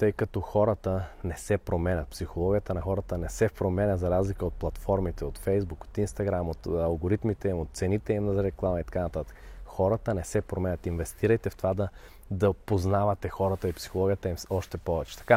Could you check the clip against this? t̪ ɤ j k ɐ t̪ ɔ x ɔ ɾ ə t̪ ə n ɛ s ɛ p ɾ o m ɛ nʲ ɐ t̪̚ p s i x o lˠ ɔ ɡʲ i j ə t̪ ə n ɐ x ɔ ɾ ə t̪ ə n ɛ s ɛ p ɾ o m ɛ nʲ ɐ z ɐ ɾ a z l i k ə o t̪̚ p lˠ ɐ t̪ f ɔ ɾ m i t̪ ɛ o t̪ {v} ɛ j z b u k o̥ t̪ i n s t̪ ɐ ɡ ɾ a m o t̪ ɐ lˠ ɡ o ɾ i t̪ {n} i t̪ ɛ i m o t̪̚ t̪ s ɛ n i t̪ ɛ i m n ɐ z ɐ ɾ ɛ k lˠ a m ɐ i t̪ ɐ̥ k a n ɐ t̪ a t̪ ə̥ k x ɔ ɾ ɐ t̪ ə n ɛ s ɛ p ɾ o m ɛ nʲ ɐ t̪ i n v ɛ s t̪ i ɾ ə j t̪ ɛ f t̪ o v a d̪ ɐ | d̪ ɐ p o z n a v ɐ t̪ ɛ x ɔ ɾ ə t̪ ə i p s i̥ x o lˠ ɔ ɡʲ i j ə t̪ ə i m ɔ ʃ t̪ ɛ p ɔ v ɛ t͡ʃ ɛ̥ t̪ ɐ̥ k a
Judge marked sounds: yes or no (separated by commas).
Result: no, no